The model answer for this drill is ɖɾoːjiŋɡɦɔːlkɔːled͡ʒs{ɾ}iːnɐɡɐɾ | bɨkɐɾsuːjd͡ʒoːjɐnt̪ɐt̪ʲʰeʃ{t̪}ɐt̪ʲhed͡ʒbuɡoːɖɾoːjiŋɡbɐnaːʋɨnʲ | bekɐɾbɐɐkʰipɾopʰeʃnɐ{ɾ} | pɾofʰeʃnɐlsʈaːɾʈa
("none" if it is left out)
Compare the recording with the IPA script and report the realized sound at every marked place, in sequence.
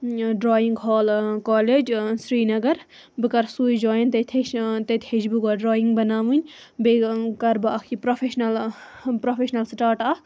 ɾ, t̪, l

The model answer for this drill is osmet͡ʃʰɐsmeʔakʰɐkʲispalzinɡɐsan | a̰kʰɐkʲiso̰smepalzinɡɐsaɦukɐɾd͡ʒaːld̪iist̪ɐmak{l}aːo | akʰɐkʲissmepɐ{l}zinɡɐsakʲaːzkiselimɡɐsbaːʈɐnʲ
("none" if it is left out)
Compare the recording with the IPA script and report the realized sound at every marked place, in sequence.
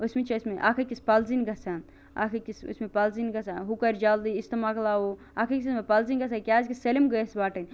l, l

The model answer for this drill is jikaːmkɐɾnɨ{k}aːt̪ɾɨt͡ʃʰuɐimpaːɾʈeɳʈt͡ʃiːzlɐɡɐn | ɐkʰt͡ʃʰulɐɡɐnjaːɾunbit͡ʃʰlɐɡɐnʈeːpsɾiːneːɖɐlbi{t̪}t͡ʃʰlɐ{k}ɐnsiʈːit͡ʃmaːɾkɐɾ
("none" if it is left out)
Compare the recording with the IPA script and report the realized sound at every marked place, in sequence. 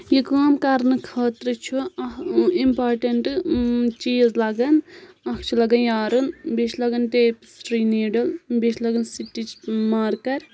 kʰ, none, ɡ

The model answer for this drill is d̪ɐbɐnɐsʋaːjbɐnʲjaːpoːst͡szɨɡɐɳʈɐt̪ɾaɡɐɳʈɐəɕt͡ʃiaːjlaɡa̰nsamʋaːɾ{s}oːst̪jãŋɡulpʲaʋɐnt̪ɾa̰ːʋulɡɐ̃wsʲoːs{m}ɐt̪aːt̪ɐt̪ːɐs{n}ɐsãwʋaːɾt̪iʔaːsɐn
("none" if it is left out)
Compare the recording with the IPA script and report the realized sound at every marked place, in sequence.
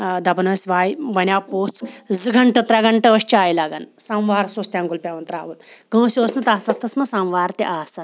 s, n, m

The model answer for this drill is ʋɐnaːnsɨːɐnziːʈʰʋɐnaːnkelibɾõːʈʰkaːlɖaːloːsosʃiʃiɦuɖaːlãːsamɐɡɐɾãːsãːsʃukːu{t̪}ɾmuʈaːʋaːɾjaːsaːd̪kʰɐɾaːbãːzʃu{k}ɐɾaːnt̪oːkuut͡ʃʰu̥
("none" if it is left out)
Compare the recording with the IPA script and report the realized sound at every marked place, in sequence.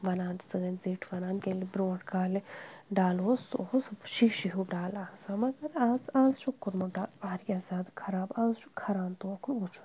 none, kʰ

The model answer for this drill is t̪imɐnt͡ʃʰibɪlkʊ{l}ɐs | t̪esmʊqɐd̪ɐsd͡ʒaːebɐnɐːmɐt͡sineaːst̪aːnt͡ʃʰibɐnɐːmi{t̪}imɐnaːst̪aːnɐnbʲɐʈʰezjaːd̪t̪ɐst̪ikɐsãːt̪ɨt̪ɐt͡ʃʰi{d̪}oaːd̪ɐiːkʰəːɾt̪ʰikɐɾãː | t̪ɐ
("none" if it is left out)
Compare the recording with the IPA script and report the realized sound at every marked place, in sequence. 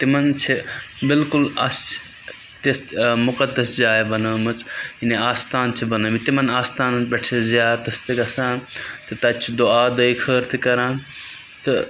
l, t̪, d̪

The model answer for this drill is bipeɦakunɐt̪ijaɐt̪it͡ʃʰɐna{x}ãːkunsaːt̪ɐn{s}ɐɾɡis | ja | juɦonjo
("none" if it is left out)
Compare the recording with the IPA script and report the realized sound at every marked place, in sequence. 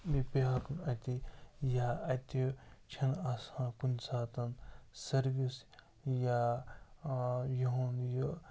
s, s

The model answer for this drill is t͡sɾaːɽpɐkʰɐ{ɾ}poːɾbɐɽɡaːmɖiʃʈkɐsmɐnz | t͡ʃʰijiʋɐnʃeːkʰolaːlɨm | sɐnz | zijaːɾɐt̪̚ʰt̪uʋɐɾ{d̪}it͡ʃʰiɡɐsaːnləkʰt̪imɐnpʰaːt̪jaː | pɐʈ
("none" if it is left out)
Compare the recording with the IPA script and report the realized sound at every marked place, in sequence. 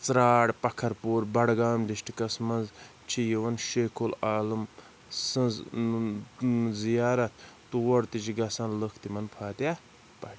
ɾ, t̪

